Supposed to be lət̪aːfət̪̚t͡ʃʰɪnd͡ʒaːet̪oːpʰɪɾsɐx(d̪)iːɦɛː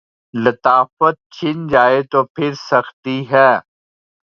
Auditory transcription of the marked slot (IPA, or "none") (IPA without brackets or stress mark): t̪